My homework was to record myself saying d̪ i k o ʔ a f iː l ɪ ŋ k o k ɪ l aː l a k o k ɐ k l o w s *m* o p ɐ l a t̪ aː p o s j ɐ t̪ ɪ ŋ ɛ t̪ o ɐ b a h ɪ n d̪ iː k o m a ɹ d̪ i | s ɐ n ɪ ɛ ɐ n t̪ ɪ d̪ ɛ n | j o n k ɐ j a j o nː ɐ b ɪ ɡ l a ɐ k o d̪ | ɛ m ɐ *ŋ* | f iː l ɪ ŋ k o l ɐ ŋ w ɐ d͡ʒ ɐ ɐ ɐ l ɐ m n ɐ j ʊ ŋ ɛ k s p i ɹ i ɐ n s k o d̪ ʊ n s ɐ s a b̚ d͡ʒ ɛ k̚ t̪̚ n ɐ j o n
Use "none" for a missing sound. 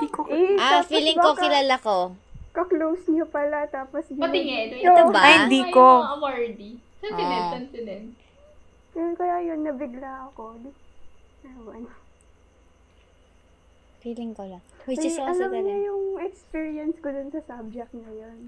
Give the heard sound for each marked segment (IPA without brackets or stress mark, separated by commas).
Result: ɲ, n